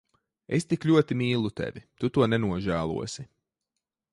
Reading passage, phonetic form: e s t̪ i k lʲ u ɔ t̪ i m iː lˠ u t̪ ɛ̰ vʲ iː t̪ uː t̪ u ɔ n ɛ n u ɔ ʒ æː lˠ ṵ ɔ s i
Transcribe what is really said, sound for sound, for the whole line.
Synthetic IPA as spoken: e s t̪ i k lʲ u ɔ t̪ i m iː lˠ u t̪ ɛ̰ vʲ i t̪ u t̪ u ɔ n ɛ n u ɔ ʒ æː lˠ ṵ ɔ s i